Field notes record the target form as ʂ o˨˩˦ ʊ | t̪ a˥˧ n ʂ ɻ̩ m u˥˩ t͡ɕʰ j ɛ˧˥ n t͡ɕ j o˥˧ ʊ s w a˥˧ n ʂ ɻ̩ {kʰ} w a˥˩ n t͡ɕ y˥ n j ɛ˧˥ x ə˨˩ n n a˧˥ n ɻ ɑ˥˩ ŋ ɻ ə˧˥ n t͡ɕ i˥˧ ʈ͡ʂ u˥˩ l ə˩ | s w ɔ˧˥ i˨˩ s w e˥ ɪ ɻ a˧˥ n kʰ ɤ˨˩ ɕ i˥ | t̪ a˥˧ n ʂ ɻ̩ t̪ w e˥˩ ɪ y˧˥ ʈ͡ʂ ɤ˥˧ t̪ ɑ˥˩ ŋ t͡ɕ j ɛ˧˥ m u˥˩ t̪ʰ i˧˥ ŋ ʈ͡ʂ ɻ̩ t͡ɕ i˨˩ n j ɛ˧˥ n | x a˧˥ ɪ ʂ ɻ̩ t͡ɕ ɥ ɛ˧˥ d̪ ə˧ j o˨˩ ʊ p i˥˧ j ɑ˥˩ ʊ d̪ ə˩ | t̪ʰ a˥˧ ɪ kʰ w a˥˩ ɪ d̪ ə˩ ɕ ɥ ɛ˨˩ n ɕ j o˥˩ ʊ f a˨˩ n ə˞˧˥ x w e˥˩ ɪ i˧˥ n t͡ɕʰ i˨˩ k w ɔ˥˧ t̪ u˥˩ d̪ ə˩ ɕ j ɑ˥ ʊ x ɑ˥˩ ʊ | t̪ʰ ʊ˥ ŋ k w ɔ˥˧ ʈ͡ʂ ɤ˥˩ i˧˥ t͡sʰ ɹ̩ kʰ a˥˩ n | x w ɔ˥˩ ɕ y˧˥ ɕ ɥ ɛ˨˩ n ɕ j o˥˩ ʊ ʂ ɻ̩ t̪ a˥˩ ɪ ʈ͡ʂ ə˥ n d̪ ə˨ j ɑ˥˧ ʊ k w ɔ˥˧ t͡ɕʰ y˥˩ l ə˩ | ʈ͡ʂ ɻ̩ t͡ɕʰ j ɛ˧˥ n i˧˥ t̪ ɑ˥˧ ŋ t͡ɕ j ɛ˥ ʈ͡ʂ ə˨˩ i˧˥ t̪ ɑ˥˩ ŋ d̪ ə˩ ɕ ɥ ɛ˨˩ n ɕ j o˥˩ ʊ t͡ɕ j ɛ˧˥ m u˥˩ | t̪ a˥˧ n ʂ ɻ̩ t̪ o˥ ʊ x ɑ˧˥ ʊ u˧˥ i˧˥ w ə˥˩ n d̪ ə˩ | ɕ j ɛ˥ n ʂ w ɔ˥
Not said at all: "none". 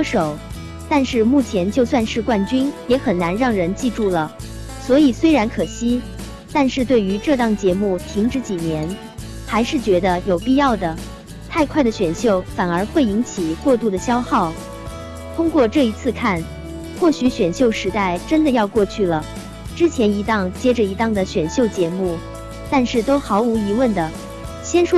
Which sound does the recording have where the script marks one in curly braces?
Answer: k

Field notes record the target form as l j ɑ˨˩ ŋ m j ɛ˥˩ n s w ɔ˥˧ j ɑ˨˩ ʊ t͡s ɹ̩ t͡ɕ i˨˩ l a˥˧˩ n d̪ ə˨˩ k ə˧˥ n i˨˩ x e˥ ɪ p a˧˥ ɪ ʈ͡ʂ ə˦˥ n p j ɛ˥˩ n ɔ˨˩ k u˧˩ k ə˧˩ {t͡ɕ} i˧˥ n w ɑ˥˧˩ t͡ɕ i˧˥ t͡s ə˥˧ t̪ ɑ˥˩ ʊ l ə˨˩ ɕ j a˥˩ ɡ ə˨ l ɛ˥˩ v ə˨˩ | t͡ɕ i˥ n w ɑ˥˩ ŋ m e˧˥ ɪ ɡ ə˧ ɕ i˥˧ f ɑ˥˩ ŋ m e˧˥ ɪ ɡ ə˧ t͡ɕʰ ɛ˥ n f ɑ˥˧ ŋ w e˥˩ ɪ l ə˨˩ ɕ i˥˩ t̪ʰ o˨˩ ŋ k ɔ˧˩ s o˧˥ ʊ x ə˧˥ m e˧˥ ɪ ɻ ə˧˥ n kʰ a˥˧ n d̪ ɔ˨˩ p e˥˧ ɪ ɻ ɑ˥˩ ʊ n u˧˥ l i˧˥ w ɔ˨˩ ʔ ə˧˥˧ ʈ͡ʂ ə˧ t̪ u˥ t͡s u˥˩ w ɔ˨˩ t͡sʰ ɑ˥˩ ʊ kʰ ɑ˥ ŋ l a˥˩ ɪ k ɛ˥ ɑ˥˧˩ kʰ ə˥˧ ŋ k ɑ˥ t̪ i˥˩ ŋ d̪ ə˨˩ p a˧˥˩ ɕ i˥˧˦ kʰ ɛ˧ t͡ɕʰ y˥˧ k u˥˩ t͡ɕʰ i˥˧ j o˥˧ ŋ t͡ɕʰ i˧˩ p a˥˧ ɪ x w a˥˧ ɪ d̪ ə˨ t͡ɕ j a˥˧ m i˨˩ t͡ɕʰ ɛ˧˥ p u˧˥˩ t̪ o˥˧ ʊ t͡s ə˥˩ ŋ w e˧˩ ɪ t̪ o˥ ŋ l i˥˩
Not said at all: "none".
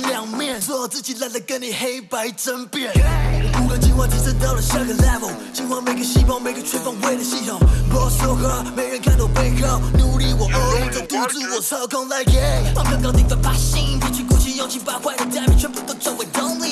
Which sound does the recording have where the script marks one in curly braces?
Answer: t͡ɕ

